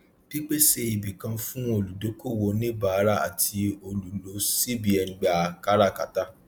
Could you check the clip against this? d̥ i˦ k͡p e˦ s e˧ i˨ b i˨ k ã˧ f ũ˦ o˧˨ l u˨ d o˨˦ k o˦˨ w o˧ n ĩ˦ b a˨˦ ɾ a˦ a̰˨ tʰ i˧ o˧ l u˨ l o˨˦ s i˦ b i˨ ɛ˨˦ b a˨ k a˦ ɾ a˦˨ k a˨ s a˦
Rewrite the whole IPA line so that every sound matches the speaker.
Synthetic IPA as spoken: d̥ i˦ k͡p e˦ s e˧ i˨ b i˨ k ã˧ f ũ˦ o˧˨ l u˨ d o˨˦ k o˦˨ w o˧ n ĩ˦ b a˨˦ ɾ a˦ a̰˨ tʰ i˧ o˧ l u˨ l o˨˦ s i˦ b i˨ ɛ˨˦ ɡ͡b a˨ k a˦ ɾ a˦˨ k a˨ t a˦